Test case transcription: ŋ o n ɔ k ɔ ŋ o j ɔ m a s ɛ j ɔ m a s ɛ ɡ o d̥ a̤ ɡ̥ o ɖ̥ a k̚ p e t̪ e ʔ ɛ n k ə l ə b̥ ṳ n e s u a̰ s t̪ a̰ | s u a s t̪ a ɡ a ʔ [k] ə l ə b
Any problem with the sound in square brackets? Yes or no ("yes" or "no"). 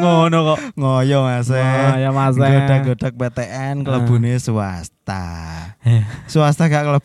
no